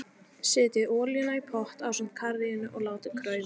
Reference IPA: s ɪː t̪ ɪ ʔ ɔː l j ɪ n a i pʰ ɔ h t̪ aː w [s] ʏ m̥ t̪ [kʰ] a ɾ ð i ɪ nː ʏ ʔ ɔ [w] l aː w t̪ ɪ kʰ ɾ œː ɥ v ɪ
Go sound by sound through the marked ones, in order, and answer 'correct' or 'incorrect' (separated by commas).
correct, correct, incorrect